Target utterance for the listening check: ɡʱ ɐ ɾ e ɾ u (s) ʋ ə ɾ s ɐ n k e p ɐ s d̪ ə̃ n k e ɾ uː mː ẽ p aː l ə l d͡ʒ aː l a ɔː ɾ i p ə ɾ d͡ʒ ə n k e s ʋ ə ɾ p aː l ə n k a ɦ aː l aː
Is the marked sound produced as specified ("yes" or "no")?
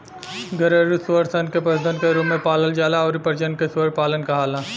yes